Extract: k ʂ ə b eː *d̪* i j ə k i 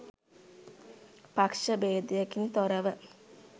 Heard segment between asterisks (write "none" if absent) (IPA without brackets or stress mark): d̪